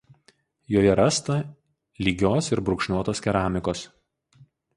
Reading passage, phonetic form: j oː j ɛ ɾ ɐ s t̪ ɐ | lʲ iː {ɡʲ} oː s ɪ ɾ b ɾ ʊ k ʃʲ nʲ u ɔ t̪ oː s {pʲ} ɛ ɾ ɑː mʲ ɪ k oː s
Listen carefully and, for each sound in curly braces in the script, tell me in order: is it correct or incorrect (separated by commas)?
correct, incorrect